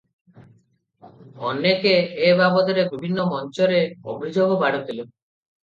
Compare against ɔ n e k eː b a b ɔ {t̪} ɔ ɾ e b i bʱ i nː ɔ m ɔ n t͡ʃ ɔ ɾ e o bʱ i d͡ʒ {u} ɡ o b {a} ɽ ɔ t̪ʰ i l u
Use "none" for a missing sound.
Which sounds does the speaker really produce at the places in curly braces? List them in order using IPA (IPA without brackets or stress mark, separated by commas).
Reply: d̪, o, a